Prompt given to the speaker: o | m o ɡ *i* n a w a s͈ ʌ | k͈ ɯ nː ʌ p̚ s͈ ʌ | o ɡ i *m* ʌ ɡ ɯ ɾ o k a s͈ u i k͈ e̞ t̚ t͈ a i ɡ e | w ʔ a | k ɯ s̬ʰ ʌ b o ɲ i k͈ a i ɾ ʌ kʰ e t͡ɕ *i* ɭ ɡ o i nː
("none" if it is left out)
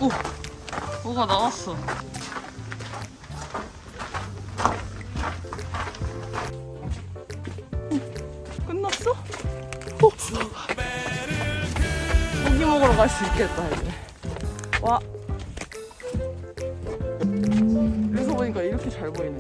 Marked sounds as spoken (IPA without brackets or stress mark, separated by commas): a, m, a